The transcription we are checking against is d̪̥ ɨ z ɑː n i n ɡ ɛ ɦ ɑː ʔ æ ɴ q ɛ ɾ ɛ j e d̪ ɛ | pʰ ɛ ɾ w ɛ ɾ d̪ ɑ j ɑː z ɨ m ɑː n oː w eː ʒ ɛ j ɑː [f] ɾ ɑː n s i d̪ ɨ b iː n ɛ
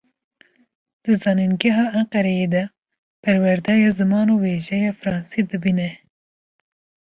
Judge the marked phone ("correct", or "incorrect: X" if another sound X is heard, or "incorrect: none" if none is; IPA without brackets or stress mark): correct